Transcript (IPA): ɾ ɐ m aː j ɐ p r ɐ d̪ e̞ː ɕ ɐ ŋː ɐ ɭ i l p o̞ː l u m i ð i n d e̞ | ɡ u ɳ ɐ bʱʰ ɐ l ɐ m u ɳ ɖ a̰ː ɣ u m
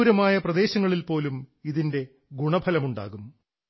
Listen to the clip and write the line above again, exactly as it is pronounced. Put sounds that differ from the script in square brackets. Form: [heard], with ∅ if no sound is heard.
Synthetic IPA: ɾ ɐ m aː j ɐ p r ɐ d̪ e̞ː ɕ ɐ ŋː ɐ ɭ i l p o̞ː l u m i ð i n d e̞ | ɡ u ɳ ɐ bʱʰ ɐ l ɐ m u ɳ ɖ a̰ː ɣ u m